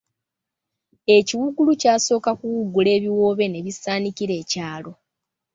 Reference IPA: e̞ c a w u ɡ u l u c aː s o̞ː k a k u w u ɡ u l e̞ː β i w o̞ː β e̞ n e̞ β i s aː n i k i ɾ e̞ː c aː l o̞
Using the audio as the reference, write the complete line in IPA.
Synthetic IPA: e̞ c i w u ɡ u l u c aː s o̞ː k a k u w u ɡ u l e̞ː β i w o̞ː β e̞ n e̞ β i s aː n i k i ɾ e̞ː c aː l o̞